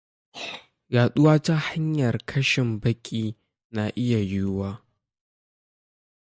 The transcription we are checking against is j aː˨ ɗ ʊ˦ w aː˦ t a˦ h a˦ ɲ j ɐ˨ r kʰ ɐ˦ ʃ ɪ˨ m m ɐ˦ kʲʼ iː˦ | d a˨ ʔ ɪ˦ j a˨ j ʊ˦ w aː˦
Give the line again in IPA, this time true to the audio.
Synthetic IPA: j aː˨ ɗ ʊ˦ w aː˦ t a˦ h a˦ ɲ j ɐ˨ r kʰ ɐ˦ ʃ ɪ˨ m b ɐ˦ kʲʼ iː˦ | n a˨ ʔ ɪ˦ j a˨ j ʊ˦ w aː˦